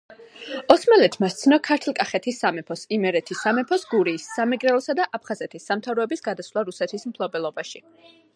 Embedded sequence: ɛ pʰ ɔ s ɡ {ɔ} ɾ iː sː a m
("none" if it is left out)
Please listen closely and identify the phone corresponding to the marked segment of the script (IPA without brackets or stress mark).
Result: u